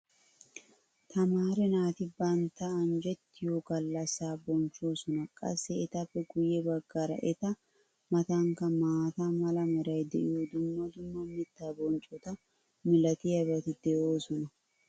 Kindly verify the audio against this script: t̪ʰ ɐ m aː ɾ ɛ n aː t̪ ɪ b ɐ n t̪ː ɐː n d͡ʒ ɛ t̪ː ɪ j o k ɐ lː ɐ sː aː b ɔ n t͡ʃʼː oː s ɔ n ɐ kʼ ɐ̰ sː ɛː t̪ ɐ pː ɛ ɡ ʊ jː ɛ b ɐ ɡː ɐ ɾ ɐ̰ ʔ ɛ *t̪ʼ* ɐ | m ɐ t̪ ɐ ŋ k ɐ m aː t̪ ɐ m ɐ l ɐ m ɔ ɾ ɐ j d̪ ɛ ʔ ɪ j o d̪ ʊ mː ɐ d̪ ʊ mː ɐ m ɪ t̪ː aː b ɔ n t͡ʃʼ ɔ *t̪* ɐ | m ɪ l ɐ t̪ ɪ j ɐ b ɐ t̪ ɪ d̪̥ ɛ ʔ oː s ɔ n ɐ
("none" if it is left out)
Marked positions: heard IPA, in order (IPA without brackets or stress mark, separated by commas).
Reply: t̪, t̪